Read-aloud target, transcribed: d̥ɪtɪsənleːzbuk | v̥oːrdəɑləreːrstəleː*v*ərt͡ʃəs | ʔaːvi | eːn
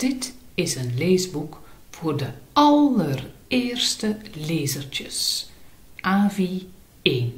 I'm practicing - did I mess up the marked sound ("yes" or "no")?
yes